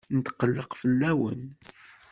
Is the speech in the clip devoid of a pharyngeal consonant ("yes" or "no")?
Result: yes